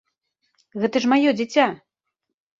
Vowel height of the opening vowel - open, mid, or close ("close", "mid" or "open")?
mid